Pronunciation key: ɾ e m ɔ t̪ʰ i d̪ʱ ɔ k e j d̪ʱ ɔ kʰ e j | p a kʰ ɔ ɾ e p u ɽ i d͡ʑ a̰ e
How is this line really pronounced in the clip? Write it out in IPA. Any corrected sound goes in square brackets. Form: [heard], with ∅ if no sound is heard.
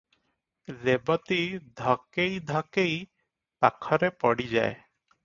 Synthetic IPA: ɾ e [b] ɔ [t̪] i d̪ʱ ɔ k e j d̪ʱ ɔ [k] e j | p a kʰ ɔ ɾ e p [ɔ] ɽ i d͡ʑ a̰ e